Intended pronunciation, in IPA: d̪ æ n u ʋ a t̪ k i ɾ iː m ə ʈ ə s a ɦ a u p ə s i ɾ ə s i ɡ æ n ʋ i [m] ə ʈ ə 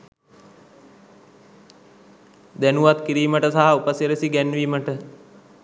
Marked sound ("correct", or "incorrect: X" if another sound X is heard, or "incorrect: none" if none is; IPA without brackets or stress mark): correct